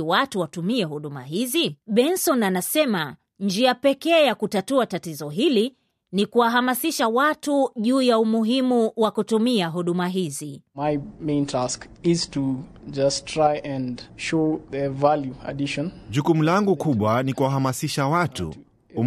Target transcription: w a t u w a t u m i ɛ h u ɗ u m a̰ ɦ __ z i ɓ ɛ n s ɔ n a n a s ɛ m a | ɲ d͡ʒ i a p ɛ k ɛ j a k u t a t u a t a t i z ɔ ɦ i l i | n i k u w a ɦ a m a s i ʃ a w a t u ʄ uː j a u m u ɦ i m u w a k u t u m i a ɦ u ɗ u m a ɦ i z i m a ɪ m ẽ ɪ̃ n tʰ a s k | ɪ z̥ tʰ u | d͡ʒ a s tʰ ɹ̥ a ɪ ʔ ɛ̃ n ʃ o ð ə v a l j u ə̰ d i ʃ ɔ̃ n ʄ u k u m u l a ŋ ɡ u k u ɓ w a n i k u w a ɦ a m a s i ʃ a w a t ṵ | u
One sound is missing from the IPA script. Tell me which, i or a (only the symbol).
i